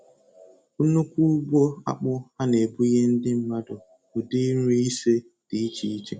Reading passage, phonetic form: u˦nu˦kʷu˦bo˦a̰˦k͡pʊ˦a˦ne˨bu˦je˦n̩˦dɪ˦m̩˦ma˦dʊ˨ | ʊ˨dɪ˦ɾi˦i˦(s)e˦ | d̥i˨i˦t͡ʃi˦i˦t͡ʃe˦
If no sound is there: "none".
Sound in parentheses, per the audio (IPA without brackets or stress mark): s